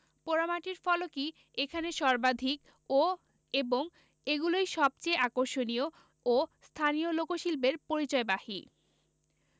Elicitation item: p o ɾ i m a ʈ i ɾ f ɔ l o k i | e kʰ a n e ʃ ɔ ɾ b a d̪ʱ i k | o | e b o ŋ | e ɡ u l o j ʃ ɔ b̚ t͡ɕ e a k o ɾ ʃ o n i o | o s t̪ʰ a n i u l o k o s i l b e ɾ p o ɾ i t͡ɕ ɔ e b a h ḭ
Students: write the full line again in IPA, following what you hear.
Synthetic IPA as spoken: p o ɾ a m a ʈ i ɾ f ɔ l o k i | e kʰ a n e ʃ ɔ ɾ b a d̪ʱ i k | o | e b o ŋ | e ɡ u l o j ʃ ɔ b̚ t͡ɕ e a k o ɾ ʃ o n i o | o s t̪ʰ a n i o l o k o ʃ i l b e ɾ p o ɾ i t͡ɕ ɔ e b a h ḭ